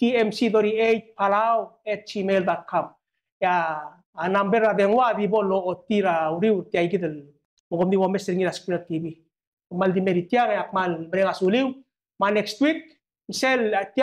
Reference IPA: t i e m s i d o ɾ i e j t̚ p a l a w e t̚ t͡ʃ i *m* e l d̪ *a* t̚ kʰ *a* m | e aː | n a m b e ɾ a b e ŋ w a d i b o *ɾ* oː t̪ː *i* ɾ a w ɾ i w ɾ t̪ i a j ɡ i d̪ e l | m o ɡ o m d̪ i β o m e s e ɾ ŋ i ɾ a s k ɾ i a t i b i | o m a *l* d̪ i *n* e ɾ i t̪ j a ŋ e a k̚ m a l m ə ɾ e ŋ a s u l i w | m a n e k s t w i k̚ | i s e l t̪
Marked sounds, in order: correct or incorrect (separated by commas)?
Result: correct, correct, correct, incorrect, correct, correct, incorrect